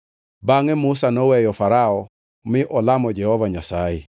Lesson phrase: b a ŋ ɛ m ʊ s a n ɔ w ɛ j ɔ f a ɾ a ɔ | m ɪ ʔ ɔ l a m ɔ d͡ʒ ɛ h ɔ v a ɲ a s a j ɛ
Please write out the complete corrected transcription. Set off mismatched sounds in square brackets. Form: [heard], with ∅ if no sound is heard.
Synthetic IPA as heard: b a ŋ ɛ m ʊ s a n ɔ w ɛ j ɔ f a ɾ a ɔ | m ɪ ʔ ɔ l a m ɔ d͡ʒ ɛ h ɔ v a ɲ a s a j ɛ